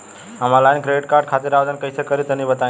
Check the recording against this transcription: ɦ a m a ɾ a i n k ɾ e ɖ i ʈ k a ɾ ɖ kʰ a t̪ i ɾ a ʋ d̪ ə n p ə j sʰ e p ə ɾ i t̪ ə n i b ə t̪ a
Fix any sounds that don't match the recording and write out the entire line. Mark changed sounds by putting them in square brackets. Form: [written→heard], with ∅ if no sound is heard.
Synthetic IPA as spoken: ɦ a m a [ɾ→l] a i n k ɾ e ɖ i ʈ k a ɾ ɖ kʰ a t̪ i ɾ a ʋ d̪ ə n [p→k] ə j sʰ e [p→k] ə ɾ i t̪ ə n i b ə t̪ a